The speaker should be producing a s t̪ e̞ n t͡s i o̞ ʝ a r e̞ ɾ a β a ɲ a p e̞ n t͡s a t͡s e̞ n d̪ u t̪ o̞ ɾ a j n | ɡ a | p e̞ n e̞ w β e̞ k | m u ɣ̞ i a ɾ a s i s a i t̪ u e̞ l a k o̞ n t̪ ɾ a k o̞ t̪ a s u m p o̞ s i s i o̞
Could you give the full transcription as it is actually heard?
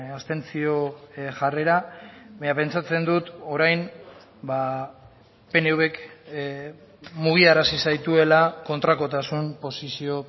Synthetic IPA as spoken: a s t̪ e̞ n t͡s i o̞ ʝ a r e̞ ɾ a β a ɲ a p e̞ n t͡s a t͡s e̞ n d̪ u t̪ o̞ ɾ a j n | b a | p e̞ n e̞ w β e̞ k | m u ɣ̞ i a ɾ a s i s a j t̪ u e̞ l a k o̞ n t̪ ɾ a k o̞ t̪ a s u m p o̞ s i s i o̞